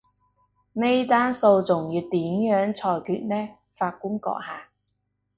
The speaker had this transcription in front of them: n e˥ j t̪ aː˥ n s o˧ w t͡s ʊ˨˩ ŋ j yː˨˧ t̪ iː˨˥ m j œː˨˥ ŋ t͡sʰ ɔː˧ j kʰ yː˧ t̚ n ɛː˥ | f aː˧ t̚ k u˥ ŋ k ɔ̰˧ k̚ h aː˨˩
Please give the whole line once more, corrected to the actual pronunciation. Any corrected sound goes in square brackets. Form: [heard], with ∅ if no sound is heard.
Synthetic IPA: n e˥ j t̪ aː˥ n s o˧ w t͡s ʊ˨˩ ŋ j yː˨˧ t̪ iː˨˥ m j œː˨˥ ŋ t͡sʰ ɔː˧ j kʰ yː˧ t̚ n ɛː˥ | f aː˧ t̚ k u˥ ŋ k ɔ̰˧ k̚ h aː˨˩